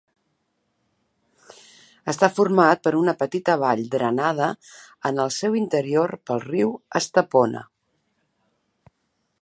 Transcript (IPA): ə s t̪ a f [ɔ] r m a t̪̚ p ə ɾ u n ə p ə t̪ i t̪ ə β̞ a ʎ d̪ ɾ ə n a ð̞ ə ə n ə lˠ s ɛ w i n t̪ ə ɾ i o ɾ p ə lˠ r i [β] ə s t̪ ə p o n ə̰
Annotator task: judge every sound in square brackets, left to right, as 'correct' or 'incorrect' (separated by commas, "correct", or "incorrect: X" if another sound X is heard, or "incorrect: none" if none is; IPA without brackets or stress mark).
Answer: incorrect: u, incorrect: w